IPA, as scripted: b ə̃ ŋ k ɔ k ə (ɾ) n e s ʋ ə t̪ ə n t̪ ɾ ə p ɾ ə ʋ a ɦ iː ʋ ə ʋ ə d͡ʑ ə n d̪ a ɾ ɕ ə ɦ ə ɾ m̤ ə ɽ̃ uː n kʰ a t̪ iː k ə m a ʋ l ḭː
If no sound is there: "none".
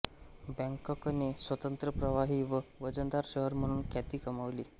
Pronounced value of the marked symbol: none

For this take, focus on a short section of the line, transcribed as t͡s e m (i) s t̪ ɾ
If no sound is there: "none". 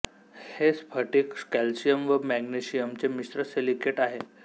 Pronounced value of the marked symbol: i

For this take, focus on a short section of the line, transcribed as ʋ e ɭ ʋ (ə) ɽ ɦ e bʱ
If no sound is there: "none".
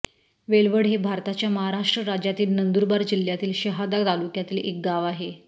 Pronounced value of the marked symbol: ə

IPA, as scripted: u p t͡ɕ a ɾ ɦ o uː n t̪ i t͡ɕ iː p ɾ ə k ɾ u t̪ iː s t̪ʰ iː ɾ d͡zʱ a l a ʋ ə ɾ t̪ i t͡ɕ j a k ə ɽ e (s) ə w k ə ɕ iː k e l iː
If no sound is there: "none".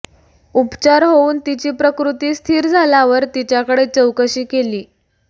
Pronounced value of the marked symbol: t͡s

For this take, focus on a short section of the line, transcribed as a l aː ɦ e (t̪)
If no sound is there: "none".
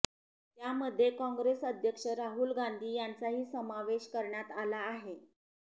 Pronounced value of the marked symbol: none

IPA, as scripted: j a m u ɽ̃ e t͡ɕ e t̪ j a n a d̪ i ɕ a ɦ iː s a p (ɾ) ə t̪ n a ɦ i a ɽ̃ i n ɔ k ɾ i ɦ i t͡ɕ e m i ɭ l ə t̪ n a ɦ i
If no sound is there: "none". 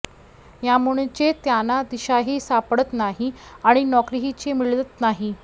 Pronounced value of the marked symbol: ɽ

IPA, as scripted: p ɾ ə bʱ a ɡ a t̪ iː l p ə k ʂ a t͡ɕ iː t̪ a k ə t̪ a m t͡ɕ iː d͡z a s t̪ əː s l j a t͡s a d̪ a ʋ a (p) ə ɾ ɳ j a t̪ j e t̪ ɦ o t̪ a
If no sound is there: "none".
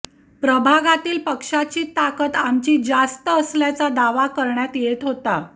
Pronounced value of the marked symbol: k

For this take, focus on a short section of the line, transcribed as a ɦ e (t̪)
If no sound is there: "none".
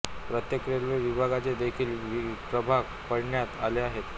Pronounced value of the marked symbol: t̪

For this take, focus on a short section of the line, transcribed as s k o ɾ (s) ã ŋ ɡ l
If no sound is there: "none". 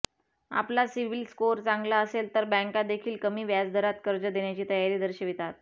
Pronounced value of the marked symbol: t͡s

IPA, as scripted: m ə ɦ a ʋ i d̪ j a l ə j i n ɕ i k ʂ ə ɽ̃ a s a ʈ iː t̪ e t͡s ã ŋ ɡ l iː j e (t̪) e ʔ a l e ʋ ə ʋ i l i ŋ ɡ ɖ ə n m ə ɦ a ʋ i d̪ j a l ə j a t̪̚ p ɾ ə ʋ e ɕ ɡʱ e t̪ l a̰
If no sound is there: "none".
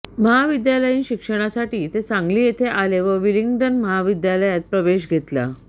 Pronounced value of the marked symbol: t̪ʰ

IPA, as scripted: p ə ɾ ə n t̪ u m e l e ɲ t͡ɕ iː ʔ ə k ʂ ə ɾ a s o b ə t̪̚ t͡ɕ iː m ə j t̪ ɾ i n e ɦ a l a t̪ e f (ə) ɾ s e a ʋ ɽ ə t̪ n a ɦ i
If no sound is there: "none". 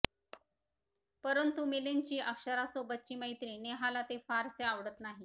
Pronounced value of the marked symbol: a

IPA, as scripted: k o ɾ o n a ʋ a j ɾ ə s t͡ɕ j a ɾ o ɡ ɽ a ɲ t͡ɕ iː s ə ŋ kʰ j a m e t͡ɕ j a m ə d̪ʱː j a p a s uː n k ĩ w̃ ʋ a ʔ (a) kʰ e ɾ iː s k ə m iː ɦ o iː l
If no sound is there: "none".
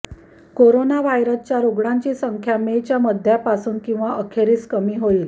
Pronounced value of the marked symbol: ə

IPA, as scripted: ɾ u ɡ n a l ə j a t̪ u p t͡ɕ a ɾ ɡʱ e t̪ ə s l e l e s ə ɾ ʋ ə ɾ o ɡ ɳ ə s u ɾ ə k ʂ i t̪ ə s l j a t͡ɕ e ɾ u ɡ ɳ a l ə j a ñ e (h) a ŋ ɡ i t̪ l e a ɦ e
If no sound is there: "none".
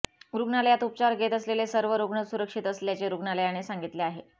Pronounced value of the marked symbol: s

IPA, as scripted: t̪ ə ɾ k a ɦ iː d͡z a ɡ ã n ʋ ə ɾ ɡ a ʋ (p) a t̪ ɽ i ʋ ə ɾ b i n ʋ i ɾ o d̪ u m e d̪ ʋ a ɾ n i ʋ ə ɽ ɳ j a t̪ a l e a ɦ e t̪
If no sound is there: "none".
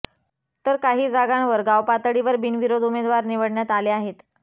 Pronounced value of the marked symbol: p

